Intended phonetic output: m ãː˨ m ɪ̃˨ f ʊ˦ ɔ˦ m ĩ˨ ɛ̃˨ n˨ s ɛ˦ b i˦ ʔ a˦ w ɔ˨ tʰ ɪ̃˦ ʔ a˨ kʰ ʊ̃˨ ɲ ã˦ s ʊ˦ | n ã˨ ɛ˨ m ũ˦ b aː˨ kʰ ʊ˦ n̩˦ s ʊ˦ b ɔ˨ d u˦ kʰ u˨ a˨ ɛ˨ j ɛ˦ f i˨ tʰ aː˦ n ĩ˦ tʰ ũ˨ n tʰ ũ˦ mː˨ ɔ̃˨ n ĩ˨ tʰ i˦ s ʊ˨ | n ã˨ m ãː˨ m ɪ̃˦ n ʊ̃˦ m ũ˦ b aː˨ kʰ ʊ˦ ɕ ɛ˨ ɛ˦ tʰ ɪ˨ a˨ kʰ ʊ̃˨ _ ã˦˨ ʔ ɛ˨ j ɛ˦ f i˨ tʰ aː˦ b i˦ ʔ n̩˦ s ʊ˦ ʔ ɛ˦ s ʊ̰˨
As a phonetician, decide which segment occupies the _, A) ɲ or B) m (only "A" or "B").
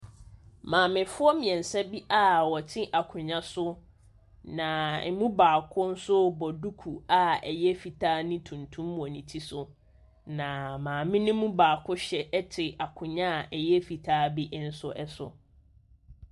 A